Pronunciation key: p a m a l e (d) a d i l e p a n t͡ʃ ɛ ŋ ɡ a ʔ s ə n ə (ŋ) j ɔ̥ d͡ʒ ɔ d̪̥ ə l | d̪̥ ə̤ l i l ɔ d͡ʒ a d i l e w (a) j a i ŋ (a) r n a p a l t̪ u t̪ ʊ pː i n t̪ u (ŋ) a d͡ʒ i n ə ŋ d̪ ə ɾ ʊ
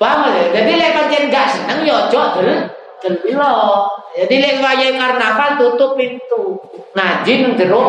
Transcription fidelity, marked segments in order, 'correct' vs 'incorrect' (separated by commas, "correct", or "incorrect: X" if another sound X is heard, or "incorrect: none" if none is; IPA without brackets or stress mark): incorrect: d͡ʒ, correct, correct, correct, correct